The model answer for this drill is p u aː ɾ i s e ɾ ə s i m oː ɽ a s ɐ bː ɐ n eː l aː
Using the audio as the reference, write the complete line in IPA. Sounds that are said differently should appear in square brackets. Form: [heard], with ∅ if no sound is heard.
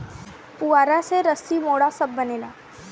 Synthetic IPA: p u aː ɾ [a] s e ɾ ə s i m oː ɽ a s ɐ bː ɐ n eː l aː